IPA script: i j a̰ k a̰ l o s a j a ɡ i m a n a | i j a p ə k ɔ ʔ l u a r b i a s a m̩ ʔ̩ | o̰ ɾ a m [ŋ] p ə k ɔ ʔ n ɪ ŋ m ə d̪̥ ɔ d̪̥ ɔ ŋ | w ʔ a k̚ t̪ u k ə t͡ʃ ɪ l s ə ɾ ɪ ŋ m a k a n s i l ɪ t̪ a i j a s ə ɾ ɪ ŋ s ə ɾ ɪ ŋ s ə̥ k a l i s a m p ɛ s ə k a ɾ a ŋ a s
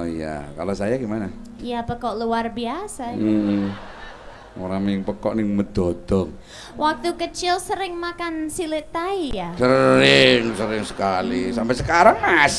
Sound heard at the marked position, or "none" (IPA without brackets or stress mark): ŋ